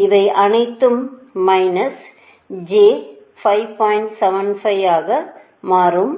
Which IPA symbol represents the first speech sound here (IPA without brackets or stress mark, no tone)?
ɪ